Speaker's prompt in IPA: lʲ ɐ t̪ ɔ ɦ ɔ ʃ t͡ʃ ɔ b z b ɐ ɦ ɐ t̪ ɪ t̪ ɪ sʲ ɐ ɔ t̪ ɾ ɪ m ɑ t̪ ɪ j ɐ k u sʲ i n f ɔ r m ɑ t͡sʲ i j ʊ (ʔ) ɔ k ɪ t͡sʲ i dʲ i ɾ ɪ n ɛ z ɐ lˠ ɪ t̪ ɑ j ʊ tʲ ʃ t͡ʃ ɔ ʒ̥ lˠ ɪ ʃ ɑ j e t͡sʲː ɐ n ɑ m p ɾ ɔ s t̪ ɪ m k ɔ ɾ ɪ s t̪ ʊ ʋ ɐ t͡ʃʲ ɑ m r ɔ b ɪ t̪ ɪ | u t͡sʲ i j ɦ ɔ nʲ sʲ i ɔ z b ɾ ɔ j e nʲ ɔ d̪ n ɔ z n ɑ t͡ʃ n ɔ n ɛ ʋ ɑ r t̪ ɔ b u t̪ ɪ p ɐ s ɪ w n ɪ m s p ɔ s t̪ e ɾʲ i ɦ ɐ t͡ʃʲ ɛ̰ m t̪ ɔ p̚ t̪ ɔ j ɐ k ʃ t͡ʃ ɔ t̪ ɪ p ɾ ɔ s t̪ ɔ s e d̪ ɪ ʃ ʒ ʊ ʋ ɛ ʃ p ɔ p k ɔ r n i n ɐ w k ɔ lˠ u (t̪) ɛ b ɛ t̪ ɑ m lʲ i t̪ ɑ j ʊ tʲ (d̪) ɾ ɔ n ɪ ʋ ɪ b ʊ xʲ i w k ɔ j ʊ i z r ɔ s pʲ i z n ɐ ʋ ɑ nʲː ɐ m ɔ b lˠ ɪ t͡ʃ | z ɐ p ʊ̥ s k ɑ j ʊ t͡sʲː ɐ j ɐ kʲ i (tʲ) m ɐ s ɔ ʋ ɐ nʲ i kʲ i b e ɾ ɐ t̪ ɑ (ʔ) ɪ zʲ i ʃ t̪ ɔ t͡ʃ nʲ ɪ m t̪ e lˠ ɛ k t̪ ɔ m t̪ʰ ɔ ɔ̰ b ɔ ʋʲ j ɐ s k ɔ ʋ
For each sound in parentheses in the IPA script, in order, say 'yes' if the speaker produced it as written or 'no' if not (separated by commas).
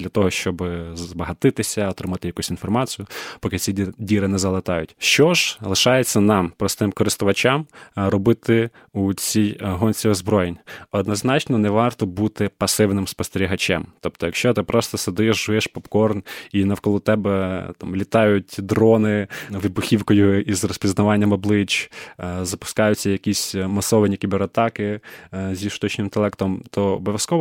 no, yes, yes, no, no